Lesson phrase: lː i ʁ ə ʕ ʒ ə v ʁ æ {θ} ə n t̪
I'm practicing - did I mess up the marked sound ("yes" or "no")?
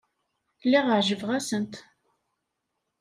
yes